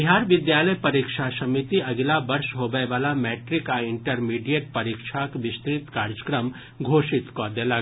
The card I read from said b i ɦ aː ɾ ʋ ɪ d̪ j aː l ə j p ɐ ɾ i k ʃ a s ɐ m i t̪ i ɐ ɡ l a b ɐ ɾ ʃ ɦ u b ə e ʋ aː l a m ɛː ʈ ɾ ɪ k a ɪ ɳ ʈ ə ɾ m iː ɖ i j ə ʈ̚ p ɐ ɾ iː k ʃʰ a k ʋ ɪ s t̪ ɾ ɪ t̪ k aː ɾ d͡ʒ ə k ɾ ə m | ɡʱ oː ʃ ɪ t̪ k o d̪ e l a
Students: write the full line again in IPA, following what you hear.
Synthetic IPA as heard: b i ɦ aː ɾ ʋ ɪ d̪ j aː l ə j p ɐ ɾ i k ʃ a s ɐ m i t̪ i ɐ ɡ l a b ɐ ɾ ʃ ɦ o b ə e ʋ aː l a m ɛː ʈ ɾ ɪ k a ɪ ɳ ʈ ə ɾ m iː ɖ i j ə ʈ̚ p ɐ ɾ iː k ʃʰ a k ʋ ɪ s t̪ ɾ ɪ t̪ k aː ɾ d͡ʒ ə k ɾ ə m | ɡʱ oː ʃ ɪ t̪ k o d̪ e l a

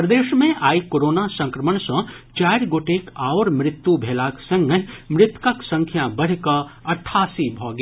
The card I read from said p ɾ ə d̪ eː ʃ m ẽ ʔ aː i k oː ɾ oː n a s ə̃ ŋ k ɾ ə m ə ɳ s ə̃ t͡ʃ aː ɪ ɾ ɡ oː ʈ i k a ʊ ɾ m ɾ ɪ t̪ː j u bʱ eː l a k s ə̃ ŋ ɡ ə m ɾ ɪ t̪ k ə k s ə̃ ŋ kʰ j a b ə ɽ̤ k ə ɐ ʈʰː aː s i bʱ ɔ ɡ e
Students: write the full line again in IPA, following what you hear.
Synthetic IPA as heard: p ɾ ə d̪ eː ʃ m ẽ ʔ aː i k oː ɾ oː n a s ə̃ ŋ k ɾ ə m ə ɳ s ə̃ t͡ʃ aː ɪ ɾ ɡ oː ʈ e k a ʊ ɾ m ɾ ɪ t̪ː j u bʱ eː l a k s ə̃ ŋ ɡ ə m ɾ ɪ t̪ k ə k s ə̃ ŋ kʰ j a b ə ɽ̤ k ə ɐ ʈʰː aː s i bʱ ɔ ɡ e

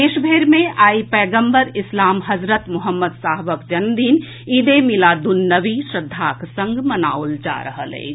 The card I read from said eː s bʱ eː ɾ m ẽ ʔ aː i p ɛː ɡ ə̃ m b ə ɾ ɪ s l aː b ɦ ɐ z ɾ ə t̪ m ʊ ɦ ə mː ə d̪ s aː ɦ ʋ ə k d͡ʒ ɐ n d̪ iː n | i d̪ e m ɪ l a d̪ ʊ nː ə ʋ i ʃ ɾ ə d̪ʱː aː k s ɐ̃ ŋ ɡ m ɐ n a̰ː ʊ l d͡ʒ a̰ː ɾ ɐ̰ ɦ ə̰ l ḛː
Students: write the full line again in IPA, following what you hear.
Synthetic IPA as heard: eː ʃ bʱ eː ɾ m ẽ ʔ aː i p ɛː ɡ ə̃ m b ə ɾ ɪ s l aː m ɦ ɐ z ɾ ə t̪ m ʊ ɦ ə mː ə d̪ s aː ɦ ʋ ə k d͡ʒ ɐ n d̪ iː n | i d̪ e m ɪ l a d̪ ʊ nː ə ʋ i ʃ ɾ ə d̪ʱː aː k s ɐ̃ ŋ ɡ m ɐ n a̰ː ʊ l d͡ʒ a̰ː ɾ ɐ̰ ɦ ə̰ l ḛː

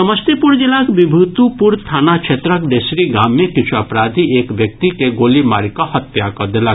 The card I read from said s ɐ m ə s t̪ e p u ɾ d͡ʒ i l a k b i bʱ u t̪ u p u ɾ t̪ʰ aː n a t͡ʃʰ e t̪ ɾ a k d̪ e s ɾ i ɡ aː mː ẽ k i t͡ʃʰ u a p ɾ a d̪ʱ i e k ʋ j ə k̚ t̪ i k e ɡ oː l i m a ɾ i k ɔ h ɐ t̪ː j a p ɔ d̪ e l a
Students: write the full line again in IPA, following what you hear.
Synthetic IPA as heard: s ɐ m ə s t̪ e p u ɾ d͡ʒ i l a k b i bʱ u t̪ u p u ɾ t̪ʰ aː n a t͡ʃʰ e t̪ ɾ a k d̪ e s ɾ i ɡ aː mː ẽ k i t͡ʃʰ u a p ɾ a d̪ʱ i e k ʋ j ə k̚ t̪ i k e ɡ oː l i m a ɾ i k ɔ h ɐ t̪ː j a k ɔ d̪ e l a

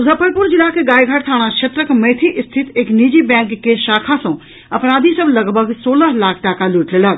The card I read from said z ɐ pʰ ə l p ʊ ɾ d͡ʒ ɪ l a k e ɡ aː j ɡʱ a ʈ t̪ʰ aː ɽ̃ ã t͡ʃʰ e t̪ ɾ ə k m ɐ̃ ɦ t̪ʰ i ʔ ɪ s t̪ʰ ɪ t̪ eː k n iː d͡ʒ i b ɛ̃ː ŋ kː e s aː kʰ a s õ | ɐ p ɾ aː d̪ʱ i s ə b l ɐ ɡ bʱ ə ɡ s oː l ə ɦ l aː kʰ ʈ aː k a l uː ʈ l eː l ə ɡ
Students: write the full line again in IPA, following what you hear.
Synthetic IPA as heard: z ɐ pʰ ə ɾ p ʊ ɾ d͡ʒ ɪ l a k e ɡ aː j ɡʱ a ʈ t̪ʰ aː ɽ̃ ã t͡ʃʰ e t̪ ɾ ə k m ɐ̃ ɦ t̪ʰ i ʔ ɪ s t̪ʰ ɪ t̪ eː k n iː d͡ʒ i b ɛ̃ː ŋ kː e ʃ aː kʰ a s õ | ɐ p ɾ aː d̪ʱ i s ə b l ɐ ɡ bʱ ə ɡ s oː l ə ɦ l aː kʰ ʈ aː k a l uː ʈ l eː l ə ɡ

